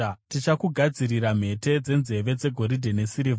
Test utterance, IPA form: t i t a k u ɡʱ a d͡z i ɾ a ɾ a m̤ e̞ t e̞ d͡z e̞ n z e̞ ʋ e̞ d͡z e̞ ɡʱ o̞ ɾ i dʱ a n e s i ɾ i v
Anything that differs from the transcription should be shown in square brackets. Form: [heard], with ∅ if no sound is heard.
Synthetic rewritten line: t i [t͡ʃ] a k u ɡʱ a d͡z i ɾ [i] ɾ a m̤ e̞ t e̞ d͡z e̞ n z e̞ ʋ e̞ d͡z e̞ ɡʱ o̞ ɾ i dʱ [e] n e s i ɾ i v